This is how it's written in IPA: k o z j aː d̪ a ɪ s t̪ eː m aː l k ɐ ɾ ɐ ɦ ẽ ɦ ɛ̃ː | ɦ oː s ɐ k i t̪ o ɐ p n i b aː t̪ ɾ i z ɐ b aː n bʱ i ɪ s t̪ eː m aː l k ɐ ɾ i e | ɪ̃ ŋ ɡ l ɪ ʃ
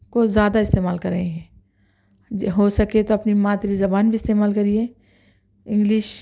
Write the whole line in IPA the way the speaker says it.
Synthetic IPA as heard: k o z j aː d̪ a ɪ s t̪ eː m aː l k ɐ ɾ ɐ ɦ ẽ ɦ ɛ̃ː | ɦ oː s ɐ k e t̪ o ɐ p n i m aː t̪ ɾ i z ɐ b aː n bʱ i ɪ s t̪ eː m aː l k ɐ ɾ i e | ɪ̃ ŋ ɡ l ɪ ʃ

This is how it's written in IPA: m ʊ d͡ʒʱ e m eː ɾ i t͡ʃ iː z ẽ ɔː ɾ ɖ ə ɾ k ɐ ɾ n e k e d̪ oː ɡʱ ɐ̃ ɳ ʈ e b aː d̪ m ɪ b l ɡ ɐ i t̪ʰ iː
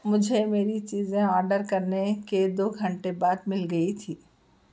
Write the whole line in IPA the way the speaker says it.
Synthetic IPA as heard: m ʊ d͡ʒʱ e m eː ɾ i t͡ʃ iː z ẽ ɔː ɾ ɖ ə ɾ k ɐ ɾ n e k e d̪ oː ɡʱ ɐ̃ ɳ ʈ e b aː d̪ m ɪ l ɡ ɐ i t̪ʰ iː

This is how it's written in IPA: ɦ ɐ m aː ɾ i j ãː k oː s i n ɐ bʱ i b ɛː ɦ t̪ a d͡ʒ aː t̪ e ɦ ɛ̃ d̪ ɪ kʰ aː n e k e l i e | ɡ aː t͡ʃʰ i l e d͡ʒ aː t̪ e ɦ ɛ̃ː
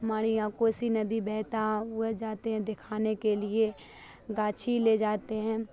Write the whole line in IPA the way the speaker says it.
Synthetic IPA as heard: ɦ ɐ m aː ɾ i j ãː k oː s i n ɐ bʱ i b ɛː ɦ t̪ a d͡ʒ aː t̪ e ɦ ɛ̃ d̪ ɪ kʰ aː n e k e l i e | ɡ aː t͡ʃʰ i l e d͡ʒ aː t̪ e ɦ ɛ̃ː

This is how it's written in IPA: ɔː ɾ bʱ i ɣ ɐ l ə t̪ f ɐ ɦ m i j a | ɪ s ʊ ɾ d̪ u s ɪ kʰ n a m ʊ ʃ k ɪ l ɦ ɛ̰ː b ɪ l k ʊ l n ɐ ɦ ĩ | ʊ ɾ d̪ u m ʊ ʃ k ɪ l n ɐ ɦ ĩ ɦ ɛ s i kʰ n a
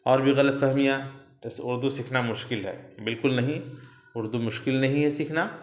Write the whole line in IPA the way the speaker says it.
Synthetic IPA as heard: ɔː ɾ bʱ i ɣ ɐ l ə t̪ f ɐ ɦ m i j a | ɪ s ʊ ɾ d̪ u s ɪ kʰ n a m ʊ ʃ k ɪ l ɦ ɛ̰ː b ɪ l k ʊ l n ɐ ɦ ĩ | ʊ ɾ d̪ u m ʊ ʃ k ɪ l n ɐ ɦ ĩ ɦ ɛ s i kʰ n a

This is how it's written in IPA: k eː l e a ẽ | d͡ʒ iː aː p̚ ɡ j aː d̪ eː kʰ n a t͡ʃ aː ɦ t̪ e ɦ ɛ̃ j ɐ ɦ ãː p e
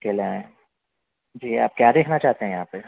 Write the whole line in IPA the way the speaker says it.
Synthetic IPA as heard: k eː l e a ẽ | d͡ʒ iː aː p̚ k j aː d̪ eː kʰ n a t͡ʃ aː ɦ t̪ e ɦ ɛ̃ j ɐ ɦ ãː p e

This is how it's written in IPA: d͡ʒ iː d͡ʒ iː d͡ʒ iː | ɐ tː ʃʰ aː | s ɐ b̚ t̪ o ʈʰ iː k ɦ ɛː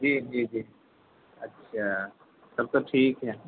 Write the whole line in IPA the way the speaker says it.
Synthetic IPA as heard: d͡ʒ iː d͡ʒ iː d͡ʒ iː | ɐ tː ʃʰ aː | s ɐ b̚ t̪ o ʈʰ iː k ɦ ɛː

